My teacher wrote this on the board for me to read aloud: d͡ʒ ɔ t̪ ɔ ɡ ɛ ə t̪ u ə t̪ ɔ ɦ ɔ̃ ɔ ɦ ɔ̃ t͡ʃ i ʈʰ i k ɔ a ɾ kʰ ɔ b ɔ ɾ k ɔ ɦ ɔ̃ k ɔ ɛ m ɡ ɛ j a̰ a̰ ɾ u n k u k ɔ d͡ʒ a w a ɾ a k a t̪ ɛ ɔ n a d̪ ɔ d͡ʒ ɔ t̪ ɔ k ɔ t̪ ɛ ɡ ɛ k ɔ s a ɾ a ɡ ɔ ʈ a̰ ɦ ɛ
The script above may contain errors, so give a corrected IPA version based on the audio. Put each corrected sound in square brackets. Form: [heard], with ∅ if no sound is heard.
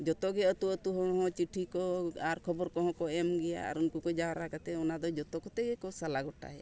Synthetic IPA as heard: d͡ʒ ɔ t̪ ɔ ɡ ɛ ə t̪ u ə t̪ [u] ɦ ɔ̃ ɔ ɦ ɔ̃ t͡ʃ i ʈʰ i k ɔ a ɾ kʰ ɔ b ɔ ɾ k ɔ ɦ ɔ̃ k ɔ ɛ m ɡ ɛ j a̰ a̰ ɾ u n k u k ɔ d͡ʒ a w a ɾ a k a t̪ ɛ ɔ n a d̪ ɔ d͡ʒ ɔ t̪ ɔ k ɔ t̪ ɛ ɡ ɛ k ɔ s a [l] a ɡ ɔ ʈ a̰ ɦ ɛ

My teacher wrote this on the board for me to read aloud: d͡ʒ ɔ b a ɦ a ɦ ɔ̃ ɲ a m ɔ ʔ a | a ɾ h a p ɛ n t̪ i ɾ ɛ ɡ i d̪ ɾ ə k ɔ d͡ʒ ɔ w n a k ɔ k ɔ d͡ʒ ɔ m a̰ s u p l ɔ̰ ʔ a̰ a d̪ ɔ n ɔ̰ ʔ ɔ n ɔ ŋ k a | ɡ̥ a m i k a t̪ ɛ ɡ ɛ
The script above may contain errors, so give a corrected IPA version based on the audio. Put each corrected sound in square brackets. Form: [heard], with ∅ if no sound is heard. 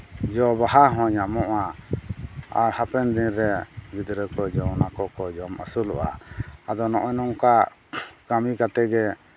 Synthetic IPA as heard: d͡ʒ ɔ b a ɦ a ɦ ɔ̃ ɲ a m ɔ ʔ a | a ɾ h a p ɛ n [d̪] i ɾ ɛ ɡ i d̪ ɾ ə k ɔ d͡ʒ ɔ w n a k ɔ k ɔ d͡ʒ ɔ m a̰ s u [∅] l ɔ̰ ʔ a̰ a d̪ ɔ n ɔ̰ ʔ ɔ n ɔ ŋ k a | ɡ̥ a m i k a t̪ ɛ ɡ ɛ

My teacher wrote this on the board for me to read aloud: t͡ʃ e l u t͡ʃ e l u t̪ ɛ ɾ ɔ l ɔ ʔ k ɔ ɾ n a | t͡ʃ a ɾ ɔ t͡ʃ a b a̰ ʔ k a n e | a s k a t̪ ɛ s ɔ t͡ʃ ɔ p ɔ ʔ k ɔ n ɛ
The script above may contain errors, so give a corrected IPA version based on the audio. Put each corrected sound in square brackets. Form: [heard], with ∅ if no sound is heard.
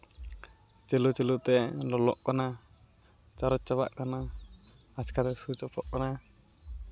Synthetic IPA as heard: t͡ʃ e l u t͡ʃ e l u t̪ ɛ [l] ɔ l ɔ ʔ k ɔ [∅] n a | t͡ʃ a ɾ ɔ t͡ʃ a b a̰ ʔ k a n [a] | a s k a t̪ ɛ s [u] t͡ʃ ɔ p ɔ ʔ k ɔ n [a]

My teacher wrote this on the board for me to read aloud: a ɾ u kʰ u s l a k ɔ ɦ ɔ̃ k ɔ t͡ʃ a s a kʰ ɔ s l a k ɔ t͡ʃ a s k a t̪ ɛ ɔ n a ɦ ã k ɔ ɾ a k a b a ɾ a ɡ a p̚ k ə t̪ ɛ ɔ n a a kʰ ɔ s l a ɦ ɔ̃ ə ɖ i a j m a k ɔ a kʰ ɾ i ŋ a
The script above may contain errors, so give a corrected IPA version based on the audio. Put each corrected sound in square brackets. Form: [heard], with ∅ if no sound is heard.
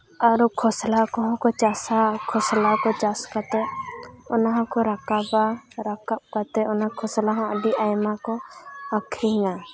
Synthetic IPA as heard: a ɾ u kʰ [ɔ] s l a k ɔ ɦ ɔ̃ k ɔ t͡ʃ a s a kʰ ɔ s l a k ɔ t͡ʃ a s k a t̪ ɛ ɔ n a ɦ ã k ɔ ɾ a k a b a ɾ a [k] a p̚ k [a] t̪ ɛ ɔ n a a kʰ ɔ s l a ɦ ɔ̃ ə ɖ i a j m a k ɔ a kʰ ɾ i ŋ a

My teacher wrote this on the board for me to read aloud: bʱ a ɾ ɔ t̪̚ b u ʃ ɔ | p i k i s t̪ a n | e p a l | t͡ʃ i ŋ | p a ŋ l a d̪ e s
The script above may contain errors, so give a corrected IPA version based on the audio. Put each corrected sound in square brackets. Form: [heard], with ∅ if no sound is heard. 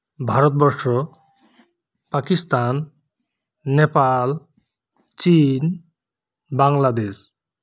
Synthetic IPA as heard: bʱ a ɾ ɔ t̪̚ b [ɔ] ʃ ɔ | p [a] k i s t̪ a n | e p a l | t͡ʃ i [n] | [b] a ŋ l a d̪ e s

